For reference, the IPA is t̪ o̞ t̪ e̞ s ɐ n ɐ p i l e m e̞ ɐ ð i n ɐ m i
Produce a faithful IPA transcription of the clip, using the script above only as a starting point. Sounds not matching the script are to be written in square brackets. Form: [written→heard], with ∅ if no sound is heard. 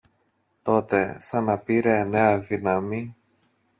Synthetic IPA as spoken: t̪ o̞ t̪ e̞ s ɐ n ɐ p i [l→ɾ] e [m→n] e̞ ɐ ð i n ɐ m i